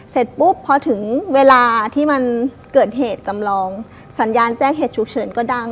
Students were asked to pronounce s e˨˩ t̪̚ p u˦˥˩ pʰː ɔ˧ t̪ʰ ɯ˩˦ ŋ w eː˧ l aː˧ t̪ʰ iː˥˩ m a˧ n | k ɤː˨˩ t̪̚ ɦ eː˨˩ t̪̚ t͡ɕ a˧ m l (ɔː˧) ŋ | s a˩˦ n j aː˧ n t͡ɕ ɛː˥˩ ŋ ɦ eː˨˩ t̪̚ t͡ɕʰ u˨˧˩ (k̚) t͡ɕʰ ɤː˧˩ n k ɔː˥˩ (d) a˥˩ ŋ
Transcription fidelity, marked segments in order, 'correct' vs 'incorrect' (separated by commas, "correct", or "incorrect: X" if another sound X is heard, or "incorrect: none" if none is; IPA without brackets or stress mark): correct, correct, correct